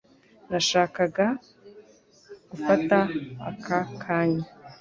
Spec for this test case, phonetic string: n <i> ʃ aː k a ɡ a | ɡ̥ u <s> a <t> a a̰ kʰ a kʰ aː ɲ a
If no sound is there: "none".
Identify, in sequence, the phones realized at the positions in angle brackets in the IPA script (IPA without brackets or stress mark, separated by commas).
a, f, t